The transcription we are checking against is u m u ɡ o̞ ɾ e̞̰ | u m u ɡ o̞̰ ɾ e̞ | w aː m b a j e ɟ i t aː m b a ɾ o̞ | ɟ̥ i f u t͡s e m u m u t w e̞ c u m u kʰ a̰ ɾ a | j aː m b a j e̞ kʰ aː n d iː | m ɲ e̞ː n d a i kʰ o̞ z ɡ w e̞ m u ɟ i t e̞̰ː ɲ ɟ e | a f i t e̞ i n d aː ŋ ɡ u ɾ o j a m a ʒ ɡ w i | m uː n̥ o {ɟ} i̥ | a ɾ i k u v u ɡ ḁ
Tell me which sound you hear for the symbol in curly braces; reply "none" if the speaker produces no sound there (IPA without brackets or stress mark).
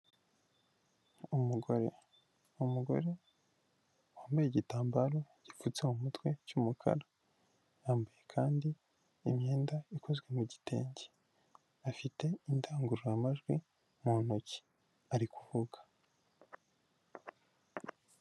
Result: c